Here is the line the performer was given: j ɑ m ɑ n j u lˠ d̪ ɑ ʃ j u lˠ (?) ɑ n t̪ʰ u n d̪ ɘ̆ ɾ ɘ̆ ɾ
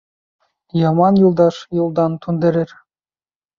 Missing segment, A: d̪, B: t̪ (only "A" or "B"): A